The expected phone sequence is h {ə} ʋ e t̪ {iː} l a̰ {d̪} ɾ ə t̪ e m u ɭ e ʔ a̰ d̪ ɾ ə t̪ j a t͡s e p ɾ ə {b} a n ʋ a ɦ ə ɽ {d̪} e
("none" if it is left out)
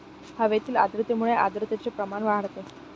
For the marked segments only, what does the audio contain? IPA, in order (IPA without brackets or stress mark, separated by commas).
a, iː, d̪, m, t̪